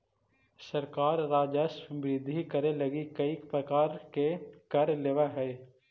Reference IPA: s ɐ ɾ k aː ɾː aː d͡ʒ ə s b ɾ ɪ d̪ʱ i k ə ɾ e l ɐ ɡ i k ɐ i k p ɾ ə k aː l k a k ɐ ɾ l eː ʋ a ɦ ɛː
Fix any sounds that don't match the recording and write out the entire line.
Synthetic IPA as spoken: s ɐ ɾ k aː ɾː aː d͡ʒ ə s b ɾ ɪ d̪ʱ i k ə ɾ e l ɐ ɡ i k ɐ i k p ɾ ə k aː ɾ k e k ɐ ɾ l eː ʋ a ɦ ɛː